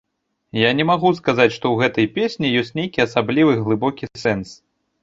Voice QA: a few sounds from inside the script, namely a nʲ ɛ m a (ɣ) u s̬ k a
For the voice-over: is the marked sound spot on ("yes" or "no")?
yes